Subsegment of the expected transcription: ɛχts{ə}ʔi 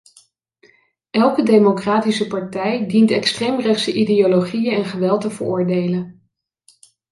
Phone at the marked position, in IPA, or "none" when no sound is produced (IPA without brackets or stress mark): ə